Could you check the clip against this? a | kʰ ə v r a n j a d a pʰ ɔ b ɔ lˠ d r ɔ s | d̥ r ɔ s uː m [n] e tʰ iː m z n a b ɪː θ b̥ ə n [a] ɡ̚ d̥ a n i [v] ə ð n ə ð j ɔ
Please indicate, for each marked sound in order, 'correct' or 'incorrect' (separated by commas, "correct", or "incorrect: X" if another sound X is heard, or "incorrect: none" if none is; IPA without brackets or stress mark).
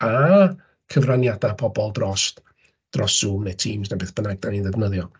correct, correct, incorrect: ð